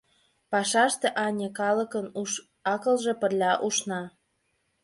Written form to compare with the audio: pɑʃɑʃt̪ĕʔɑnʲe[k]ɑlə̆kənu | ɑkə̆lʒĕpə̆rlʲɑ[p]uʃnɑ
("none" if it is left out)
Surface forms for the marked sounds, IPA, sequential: k, ʔ

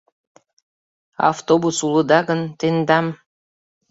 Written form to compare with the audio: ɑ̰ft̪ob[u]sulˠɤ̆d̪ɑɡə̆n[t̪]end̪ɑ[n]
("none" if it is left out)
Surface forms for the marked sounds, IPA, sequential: u, t̪, m

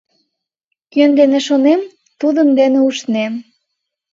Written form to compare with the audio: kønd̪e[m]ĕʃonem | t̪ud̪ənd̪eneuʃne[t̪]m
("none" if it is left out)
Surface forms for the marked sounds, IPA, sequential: n, none

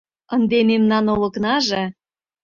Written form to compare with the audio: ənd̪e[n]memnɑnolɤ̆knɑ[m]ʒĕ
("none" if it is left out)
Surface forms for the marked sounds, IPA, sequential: none, none

